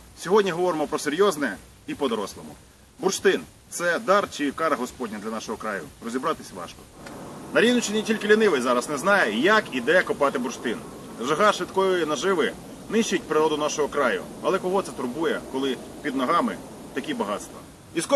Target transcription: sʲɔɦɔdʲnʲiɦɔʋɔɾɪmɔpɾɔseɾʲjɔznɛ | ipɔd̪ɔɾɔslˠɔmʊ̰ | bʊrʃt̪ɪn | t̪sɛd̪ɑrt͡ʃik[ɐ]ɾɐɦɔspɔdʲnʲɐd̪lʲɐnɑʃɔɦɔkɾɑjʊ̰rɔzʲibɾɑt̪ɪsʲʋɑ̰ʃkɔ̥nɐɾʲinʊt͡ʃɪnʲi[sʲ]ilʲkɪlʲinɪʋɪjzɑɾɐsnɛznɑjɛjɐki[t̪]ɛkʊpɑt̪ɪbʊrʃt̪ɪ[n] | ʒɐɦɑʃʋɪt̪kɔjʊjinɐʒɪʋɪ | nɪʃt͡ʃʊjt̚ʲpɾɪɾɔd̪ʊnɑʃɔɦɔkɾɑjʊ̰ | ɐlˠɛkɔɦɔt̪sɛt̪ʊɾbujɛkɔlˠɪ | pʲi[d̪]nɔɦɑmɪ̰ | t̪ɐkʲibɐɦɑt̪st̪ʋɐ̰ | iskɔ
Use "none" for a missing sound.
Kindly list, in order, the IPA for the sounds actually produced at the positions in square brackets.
ɑ, tʲ, d̪, n, d̪

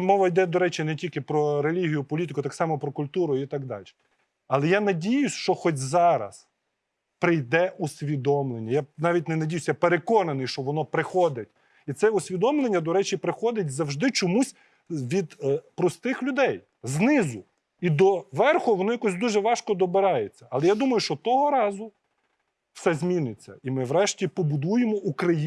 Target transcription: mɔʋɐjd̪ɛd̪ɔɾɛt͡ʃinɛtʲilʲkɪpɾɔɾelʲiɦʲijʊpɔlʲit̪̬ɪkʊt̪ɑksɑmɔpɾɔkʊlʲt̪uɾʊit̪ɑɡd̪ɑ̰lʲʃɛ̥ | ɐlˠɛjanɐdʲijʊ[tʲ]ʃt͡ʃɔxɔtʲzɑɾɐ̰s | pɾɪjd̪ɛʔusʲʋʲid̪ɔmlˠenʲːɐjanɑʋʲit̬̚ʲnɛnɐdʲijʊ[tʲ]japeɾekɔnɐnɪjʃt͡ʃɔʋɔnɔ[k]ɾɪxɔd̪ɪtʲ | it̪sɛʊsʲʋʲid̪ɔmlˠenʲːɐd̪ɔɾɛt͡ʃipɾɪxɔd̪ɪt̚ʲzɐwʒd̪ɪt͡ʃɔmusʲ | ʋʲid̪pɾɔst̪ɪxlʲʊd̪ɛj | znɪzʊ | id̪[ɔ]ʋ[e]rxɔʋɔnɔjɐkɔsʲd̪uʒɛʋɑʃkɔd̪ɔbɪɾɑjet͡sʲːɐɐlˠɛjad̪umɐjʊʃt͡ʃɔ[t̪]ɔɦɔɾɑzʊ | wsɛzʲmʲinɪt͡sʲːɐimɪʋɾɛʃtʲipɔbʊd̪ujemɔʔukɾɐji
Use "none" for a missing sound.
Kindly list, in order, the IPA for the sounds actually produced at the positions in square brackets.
sʲ, sʲ, p, ɔ, ɛ, t̪

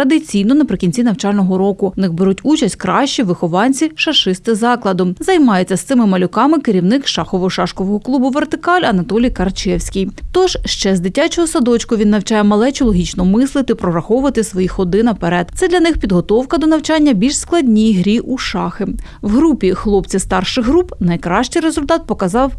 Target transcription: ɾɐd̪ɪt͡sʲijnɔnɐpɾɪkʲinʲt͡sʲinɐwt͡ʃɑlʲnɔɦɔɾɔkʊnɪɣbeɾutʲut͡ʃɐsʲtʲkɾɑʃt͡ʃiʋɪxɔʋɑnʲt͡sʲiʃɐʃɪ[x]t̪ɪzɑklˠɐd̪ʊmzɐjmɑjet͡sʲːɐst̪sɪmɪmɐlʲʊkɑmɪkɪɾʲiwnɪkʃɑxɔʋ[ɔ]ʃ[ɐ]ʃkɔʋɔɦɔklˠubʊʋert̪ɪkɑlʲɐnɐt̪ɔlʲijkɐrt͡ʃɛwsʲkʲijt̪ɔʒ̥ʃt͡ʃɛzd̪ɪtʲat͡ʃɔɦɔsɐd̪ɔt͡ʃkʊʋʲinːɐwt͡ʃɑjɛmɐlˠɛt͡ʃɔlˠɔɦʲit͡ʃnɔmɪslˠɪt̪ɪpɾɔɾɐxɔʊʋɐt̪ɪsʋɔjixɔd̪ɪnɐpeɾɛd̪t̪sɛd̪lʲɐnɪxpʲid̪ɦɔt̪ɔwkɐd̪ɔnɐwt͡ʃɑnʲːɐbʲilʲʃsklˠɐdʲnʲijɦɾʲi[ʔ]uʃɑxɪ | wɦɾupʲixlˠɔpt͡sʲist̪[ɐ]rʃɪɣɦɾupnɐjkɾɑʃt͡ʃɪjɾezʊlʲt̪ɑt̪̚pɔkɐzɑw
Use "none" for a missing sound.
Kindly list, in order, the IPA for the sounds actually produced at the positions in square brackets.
s, ɔ, ɑ, ʔ, ɑ

